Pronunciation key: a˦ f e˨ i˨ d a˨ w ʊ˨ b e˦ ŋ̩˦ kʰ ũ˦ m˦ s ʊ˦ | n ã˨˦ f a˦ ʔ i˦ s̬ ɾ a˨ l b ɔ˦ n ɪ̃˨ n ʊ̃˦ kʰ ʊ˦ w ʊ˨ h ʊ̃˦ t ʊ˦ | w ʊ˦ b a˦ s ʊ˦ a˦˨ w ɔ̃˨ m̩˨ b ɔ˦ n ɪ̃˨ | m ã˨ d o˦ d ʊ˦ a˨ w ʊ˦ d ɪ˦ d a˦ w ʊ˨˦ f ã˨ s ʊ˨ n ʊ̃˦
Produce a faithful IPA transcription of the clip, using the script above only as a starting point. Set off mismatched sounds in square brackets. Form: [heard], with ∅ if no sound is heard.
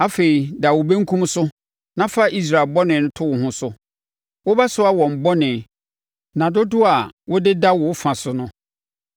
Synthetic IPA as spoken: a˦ f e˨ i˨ d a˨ w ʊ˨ b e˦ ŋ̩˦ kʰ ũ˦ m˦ s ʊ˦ | n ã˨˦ f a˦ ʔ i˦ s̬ ɾ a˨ l b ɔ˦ n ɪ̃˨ n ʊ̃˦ [tʰ] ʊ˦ w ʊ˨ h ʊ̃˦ [s] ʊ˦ | w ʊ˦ b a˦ s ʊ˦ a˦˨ w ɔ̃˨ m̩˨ b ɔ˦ n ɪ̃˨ | [n] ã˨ d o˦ d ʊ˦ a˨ w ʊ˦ d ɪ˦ d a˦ w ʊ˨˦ f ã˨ s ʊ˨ n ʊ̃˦